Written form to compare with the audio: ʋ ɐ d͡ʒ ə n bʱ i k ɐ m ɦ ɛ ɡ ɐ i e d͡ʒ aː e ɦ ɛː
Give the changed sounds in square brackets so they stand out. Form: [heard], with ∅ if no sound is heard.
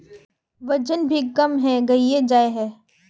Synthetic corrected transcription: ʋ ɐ d͡ʒ ə n bʱ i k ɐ m ɦ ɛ ɡ ɐ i e d͡ʒ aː e ɦ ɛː